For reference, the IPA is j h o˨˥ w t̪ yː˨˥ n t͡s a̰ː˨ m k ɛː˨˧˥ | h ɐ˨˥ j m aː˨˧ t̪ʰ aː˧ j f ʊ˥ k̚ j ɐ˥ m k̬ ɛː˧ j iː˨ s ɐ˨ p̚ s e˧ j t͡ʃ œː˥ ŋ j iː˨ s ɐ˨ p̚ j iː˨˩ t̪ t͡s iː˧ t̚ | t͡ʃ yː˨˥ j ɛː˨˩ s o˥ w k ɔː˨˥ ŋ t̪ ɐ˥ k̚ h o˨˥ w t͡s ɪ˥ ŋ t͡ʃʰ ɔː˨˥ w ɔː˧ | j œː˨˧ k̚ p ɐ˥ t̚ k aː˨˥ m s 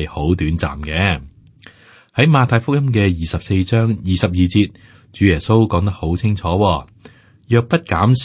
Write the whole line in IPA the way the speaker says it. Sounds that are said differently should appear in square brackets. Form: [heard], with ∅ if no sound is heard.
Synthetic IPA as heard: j h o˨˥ w t̪ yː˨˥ n t͡s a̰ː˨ m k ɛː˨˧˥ | h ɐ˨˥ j m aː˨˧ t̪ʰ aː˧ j f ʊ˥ k̚ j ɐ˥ m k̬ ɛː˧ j iː˨ s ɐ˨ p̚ s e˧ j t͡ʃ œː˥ ŋ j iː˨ s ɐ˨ p̚ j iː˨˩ [∅] t͡s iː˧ t̚ | t͡ʃ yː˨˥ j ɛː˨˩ s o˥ w k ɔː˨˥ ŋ t̪ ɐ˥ k̚ h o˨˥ w [t͡sʰ] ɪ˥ ŋ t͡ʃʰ ɔː˨˥ w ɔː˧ | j œː˨˧ k̚ p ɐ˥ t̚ k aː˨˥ m s